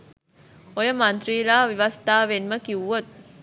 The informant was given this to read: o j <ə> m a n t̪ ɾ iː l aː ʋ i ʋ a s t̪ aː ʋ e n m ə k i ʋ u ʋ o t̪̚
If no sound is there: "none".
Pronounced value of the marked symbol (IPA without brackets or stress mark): ə